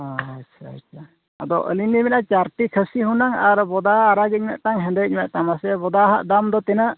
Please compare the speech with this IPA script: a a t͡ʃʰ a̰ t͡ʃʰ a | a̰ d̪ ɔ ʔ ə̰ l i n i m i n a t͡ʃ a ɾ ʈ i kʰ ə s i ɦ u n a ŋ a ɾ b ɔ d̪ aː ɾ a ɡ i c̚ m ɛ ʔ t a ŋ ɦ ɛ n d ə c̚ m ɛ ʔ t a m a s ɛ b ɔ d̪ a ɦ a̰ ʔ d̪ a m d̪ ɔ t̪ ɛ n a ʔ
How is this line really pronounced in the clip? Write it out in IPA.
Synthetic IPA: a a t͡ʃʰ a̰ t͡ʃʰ a | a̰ d̪ ɔ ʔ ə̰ l i n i m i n a t͡ʃ a ɾ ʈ i kʰ ə s i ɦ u n a ŋ a ɾ b ɔ d̪ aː ɾ a ɡ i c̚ m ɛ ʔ t a ŋ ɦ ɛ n d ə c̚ m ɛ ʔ t a m a s ɛ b ɔ d̪ a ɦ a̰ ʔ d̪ a m d̪ ɔ t̪ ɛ n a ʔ